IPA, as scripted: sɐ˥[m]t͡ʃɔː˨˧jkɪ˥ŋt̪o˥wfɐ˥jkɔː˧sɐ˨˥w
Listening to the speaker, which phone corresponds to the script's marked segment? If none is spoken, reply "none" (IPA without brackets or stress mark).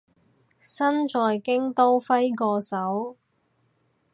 n